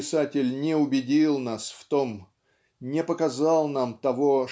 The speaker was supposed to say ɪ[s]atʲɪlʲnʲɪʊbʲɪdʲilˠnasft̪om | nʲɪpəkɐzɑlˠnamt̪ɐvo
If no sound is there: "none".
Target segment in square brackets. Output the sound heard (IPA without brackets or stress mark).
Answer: s